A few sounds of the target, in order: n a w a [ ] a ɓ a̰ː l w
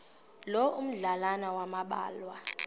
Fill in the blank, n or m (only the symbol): m